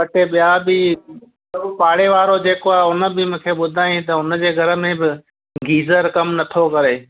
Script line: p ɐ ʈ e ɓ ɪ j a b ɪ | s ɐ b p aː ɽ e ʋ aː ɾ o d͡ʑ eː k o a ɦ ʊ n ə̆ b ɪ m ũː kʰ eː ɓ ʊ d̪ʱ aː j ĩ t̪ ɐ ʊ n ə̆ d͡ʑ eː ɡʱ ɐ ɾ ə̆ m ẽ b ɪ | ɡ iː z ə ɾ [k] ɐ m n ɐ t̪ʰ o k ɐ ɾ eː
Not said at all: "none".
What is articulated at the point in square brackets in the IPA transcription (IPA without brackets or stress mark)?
k